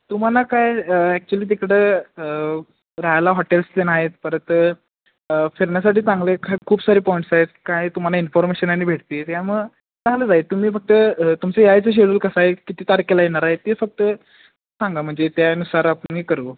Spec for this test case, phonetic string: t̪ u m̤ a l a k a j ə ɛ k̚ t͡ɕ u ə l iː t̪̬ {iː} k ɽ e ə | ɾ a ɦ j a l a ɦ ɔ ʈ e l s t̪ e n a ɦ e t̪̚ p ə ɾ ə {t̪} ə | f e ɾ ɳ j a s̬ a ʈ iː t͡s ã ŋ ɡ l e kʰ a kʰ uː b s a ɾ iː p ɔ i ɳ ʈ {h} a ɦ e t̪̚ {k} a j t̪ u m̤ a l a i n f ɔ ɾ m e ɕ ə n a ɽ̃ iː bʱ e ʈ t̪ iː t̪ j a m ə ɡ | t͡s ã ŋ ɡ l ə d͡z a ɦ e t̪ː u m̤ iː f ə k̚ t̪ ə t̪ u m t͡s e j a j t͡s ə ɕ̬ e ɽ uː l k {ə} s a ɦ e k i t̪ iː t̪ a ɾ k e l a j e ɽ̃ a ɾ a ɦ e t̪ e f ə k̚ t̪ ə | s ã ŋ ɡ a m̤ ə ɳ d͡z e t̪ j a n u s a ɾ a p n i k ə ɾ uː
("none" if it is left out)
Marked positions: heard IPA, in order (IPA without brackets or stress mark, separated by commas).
i, t̪, s, k, ə